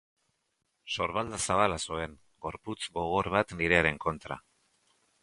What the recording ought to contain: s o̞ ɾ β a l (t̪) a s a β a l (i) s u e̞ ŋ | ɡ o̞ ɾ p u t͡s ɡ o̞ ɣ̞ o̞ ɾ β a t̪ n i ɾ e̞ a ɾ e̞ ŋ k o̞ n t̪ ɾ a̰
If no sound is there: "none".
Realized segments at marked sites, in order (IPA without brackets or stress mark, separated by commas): d̪, a